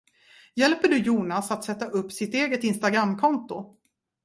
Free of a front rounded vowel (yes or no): yes